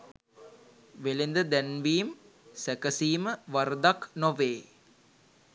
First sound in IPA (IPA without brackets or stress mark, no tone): ʋ